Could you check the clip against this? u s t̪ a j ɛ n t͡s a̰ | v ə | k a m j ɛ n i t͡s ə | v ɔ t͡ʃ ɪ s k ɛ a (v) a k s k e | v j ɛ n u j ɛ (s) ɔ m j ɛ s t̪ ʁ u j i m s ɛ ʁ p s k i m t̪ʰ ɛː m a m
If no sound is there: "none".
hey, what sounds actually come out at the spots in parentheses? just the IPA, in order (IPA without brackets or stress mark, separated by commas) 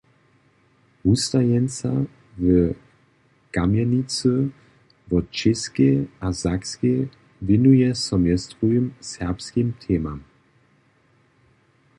z, s